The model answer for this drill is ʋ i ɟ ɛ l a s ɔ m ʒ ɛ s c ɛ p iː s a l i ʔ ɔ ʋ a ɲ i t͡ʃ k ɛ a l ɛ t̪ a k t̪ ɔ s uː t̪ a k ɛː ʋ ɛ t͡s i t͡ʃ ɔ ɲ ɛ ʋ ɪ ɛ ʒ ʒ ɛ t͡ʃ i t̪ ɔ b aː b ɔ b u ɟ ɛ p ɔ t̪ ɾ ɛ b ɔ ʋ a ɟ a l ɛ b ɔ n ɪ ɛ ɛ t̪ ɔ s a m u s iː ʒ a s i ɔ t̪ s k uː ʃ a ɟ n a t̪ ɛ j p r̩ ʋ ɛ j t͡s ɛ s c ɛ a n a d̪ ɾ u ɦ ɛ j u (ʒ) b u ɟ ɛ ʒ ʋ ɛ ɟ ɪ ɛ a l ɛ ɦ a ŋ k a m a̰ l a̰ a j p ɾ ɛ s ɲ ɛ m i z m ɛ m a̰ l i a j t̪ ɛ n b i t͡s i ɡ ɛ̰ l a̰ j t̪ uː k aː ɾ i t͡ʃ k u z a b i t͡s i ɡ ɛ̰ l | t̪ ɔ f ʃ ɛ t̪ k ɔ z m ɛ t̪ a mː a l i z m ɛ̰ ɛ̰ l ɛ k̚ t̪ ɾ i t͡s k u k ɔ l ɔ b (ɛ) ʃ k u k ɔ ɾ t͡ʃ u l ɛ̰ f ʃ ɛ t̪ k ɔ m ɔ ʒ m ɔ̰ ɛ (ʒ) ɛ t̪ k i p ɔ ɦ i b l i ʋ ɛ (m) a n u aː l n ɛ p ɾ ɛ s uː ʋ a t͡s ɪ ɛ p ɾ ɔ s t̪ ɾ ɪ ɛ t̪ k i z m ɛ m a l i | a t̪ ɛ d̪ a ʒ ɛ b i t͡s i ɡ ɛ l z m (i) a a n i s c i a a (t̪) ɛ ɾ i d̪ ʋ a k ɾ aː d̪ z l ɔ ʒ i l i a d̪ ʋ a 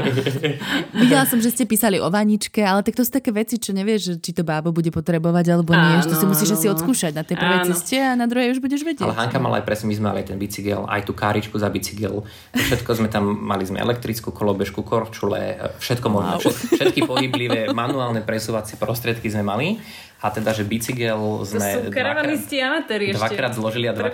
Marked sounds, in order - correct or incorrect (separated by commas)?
correct, correct, incorrect, correct, incorrect, correct